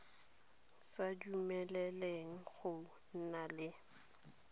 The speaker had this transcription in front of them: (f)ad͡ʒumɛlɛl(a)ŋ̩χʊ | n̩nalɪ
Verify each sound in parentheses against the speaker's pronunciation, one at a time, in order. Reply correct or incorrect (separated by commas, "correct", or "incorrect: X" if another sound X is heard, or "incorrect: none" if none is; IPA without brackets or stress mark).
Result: incorrect: s, incorrect: e